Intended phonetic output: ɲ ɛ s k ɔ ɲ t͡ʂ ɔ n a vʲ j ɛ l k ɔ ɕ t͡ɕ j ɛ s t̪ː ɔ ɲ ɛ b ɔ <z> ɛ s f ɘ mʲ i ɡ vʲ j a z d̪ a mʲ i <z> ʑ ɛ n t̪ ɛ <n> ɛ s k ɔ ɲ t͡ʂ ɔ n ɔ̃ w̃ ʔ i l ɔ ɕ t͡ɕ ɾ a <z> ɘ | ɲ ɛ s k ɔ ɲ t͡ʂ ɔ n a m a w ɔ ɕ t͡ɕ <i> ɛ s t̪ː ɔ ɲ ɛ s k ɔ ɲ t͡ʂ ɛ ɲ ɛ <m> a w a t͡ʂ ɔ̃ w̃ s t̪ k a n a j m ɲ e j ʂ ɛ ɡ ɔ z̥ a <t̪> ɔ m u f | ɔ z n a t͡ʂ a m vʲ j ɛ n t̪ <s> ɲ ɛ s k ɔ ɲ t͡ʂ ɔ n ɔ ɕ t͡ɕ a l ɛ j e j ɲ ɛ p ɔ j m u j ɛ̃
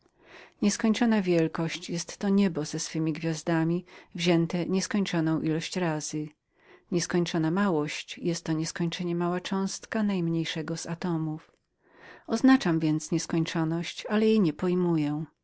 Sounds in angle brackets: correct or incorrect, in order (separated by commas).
correct, incorrect, incorrect, correct, incorrect, correct, correct, correct